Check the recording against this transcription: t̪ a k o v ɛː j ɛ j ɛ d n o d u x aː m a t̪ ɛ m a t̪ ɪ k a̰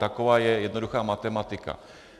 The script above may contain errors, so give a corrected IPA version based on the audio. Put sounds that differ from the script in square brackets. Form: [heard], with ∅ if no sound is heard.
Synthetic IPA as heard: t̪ a k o v [aː] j ɛ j ɛ d n o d u x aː m a t̪ ɛ m a t̪ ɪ k a̰